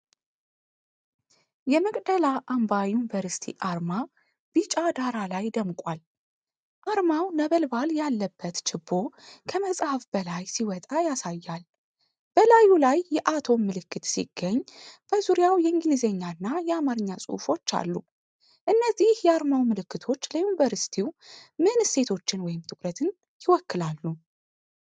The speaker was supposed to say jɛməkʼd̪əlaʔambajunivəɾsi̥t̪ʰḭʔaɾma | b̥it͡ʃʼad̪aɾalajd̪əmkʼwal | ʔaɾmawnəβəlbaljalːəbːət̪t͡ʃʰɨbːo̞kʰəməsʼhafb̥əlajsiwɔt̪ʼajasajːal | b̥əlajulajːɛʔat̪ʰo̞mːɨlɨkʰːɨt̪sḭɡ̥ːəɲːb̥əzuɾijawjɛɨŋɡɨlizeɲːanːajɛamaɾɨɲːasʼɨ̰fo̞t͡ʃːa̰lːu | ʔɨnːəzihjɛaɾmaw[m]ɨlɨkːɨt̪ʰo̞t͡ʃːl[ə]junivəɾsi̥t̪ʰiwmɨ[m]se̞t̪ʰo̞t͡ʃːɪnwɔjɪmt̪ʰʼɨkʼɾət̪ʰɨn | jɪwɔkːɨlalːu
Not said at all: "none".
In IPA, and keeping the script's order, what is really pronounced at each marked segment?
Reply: m, ə, n

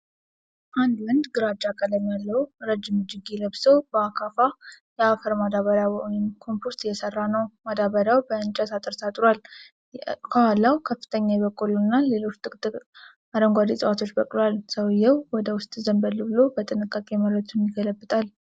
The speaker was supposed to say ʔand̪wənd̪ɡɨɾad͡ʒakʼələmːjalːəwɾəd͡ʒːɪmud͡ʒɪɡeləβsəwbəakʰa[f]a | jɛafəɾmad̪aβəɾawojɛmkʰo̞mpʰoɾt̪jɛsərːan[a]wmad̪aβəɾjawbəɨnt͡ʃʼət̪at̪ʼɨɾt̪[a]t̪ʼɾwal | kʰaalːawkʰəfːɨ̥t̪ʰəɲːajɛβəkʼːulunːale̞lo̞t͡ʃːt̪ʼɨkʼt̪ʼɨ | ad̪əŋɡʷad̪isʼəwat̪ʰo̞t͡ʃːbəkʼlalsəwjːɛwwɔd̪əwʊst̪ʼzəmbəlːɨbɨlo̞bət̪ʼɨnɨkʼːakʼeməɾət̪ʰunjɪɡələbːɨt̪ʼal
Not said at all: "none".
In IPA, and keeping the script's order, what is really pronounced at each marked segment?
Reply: f, ə, a

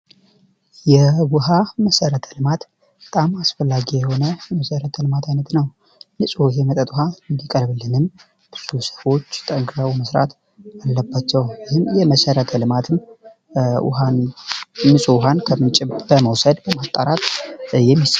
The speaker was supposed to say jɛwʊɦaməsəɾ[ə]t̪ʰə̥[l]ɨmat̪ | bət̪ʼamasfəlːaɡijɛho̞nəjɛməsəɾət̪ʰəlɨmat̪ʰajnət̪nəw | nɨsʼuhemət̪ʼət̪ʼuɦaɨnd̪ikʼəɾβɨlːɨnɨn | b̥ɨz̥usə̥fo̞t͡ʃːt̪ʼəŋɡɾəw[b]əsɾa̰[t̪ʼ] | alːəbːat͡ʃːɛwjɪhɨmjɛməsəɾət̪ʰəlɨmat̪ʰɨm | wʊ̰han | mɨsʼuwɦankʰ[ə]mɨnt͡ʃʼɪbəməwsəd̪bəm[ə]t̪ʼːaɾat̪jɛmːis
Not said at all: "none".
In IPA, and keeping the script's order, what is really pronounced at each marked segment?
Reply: ə, l, m, t̪, ə, a

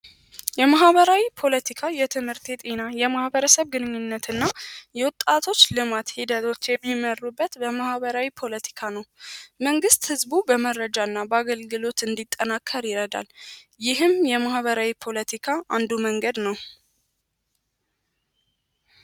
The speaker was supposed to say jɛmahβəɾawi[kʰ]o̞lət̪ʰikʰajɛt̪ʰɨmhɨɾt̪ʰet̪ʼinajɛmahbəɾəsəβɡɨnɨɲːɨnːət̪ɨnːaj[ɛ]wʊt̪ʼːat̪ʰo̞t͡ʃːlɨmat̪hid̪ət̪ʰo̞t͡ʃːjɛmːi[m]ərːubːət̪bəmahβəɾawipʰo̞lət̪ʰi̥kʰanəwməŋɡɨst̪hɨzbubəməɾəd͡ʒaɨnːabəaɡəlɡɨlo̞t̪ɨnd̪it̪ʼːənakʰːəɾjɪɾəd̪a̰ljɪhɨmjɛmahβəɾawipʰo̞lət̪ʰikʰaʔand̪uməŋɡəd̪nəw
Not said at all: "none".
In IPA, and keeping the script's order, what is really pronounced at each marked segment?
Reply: pʰ, ɛ, m

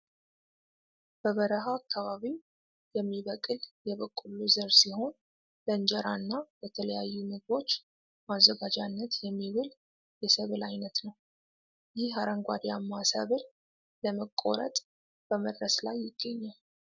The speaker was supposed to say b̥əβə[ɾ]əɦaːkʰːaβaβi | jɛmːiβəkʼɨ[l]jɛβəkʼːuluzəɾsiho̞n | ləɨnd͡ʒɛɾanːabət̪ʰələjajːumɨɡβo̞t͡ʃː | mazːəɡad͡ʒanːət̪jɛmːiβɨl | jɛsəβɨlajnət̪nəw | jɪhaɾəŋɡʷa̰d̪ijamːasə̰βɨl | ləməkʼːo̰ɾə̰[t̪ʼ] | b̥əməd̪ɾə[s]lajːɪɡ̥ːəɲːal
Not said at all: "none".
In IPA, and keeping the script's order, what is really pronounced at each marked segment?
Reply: ɾ, l, t̪ʼ, s

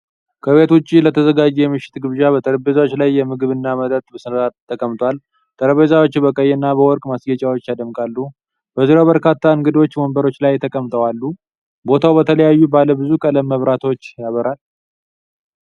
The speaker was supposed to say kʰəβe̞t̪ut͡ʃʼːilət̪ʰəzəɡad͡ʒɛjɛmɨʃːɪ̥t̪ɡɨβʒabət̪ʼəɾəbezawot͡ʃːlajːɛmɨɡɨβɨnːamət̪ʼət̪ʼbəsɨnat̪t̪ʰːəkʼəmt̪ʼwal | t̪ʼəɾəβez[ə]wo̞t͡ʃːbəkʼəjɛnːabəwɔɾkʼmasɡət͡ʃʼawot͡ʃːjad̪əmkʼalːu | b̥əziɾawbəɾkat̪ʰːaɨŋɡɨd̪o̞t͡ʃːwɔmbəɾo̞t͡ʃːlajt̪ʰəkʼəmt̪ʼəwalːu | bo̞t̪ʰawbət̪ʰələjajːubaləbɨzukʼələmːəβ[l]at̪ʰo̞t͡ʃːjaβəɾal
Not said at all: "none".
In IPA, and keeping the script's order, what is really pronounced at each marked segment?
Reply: a, ɾ

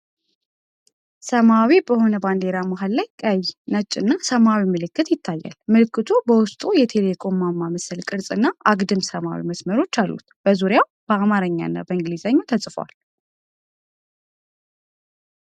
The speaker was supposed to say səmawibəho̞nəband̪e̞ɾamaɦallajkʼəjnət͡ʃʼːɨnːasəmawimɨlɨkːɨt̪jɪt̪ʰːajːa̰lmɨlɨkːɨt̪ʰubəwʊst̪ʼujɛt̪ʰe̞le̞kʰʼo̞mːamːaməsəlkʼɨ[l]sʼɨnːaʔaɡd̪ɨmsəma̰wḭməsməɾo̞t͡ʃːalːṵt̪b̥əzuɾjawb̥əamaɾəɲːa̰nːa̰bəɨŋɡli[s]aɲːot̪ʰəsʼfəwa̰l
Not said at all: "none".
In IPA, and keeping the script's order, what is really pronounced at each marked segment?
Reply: ɾ, z

